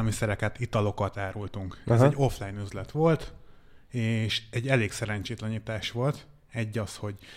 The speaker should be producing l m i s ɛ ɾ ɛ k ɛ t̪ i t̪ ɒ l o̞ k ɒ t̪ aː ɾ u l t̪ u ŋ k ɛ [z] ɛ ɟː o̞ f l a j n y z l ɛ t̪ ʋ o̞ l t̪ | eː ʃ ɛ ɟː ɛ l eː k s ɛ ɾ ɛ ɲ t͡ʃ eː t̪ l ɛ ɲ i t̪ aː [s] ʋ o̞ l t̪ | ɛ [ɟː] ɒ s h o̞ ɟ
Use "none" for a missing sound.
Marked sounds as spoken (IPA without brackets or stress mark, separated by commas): z, ʃ, ɟː